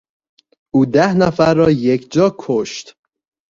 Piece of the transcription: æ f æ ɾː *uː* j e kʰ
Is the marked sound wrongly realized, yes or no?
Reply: yes